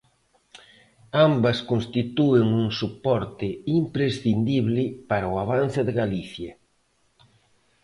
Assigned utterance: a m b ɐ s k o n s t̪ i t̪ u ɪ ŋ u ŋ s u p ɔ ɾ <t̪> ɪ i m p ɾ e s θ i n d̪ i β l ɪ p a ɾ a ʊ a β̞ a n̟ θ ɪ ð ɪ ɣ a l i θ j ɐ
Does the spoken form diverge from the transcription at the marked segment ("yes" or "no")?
no